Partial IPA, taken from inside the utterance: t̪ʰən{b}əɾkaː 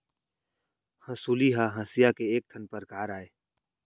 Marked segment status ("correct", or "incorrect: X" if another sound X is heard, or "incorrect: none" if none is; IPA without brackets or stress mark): incorrect: p